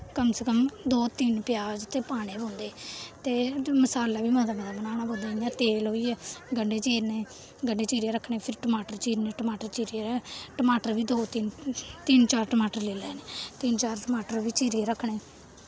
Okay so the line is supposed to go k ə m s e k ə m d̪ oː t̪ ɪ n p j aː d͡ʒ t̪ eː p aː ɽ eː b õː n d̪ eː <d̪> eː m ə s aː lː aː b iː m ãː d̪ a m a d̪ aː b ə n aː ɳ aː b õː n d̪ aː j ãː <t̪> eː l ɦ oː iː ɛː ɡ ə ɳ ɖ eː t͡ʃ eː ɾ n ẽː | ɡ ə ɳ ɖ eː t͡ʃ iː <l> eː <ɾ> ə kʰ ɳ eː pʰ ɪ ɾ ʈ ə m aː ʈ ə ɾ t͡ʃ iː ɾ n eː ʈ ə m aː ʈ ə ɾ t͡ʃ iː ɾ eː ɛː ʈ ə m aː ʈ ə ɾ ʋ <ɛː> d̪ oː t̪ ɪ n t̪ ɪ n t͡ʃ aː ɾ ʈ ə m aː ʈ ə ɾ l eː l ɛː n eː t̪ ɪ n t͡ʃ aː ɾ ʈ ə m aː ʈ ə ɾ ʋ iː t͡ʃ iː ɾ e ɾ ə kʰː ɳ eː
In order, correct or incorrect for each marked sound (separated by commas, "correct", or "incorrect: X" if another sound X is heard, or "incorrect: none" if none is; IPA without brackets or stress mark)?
incorrect: t̪, correct, incorrect: ɾ, correct, incorrect: iː